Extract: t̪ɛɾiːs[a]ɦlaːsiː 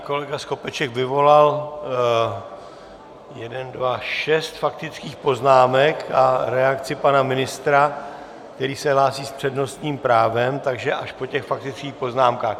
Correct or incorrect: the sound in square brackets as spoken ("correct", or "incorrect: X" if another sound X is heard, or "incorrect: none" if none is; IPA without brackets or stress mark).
incorrect: ɛ